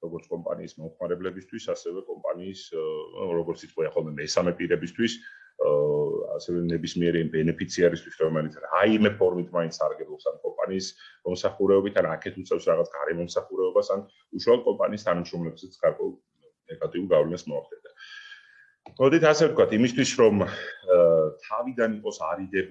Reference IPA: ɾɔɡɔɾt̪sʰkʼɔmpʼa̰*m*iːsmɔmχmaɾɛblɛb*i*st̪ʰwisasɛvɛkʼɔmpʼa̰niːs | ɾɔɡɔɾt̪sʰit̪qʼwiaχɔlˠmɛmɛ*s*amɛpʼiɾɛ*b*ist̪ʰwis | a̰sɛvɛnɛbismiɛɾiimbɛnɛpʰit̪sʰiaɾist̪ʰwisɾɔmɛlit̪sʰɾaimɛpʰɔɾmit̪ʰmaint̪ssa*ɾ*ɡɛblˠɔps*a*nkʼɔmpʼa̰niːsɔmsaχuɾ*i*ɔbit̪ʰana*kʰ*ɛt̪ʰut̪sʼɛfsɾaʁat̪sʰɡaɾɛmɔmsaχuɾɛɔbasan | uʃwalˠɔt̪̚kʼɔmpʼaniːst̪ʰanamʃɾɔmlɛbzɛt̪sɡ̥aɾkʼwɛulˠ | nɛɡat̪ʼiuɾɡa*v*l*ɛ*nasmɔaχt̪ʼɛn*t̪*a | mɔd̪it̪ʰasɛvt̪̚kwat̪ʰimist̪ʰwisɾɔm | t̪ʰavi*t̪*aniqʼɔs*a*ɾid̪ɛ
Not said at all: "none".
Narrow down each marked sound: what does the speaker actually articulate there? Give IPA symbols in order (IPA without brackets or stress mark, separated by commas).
n, i, s, b, ɾ, a, ɛ, kʰ, v, ɛ, d̪, d̪, a